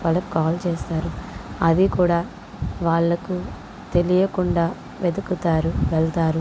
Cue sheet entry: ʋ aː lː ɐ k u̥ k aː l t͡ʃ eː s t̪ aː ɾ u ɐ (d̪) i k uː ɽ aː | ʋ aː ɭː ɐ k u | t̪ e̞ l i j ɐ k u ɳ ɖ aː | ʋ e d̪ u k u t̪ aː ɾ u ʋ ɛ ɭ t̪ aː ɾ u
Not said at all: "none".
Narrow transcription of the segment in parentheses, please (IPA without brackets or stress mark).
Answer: d̪